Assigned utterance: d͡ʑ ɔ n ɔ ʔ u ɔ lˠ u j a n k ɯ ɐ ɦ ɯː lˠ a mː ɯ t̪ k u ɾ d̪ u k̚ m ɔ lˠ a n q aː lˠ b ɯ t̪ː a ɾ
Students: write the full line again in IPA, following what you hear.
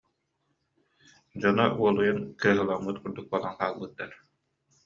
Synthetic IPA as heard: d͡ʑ ɔ n ɔ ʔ u ɔ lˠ u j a n k ɯ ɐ ɦ ɯ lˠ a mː ɯ t̪ k u ɾ d̪ u k̚ b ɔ lˠ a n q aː lˠ b ɯ t̪ː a ɾ